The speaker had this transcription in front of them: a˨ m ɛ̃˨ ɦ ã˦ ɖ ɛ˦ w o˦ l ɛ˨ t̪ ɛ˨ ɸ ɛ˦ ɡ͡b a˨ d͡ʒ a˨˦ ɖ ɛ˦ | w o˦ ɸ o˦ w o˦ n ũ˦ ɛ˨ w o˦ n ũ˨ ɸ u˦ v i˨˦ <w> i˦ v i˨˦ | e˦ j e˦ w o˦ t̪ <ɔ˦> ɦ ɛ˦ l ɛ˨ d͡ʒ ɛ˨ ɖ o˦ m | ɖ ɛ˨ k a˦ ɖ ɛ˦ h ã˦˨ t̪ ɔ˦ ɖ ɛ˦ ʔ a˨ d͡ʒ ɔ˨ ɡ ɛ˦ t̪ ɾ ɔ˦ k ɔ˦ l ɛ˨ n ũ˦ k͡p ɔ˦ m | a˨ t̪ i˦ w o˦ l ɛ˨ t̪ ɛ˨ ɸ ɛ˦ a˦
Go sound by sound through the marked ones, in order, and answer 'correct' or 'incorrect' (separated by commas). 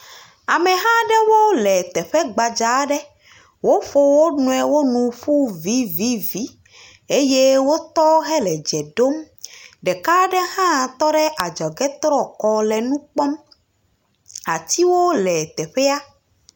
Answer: incorrect, correct